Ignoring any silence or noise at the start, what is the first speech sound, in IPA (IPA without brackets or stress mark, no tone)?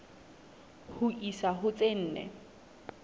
h